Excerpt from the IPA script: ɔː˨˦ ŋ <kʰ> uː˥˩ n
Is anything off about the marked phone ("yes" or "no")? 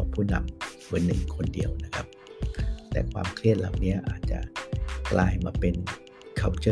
yes